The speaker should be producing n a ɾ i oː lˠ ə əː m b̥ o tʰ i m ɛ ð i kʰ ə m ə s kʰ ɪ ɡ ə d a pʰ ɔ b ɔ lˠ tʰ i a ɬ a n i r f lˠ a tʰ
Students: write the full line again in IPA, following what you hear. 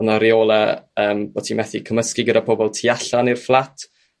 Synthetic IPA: n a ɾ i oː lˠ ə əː m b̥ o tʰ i m ɛ θ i kʰ ə m ə s k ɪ ɡ ə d a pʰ ɔ b ɔ lˠ tʰ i a ɬ a n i r f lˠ a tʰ